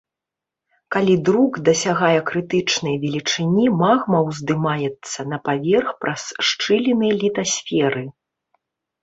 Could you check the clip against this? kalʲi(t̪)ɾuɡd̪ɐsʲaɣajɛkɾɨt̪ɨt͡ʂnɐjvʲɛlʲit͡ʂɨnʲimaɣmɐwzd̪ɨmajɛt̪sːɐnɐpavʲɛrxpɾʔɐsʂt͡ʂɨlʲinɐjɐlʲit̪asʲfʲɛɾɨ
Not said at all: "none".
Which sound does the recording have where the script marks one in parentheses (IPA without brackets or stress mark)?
d̪